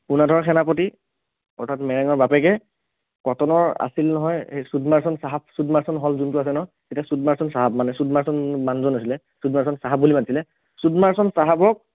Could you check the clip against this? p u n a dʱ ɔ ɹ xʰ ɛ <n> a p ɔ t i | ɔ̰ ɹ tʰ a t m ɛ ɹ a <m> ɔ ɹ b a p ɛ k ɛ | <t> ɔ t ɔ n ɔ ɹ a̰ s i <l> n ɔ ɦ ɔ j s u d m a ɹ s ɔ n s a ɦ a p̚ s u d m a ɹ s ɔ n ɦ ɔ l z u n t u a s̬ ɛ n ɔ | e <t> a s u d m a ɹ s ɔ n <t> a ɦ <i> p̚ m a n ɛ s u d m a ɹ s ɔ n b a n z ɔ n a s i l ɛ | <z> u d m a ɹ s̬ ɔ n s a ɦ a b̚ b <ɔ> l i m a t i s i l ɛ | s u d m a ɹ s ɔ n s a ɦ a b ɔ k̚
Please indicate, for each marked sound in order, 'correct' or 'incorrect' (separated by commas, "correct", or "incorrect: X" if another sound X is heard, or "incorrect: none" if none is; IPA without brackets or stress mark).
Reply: correct, incorrect: ŋ, incorrect: k, correct, correct, incorrect: s, incorrect: a, incorrect: s, incorrect: u